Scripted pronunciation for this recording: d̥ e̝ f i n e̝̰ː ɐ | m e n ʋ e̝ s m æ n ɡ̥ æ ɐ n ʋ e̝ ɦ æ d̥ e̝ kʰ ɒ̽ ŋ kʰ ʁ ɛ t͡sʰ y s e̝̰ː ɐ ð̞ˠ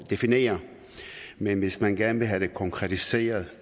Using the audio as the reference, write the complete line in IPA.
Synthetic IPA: d̥ e̝ f i n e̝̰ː ɐ | m e n ʋ e̝ s m æ n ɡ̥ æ ɐ n ʋ e̝ ɦ æ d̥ e̝ kʰ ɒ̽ ŋ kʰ ʁ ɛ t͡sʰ i s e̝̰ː ɐ ð̞ˠ